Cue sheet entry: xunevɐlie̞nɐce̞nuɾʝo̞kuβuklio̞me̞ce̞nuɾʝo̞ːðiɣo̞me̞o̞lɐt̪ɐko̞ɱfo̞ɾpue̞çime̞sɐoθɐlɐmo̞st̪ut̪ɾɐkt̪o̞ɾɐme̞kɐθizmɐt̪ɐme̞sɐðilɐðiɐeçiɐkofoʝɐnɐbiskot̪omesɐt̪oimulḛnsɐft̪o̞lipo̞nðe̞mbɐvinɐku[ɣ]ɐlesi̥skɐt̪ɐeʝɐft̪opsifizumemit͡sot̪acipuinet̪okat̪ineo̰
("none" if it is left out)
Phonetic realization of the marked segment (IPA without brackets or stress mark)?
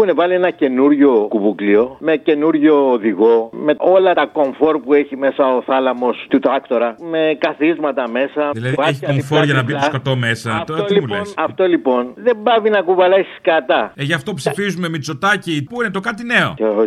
v